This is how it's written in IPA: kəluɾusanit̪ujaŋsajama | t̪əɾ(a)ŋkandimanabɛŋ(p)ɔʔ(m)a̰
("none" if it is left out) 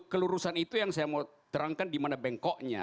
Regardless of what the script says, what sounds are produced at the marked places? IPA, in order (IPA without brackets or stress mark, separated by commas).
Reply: a, k, ɲ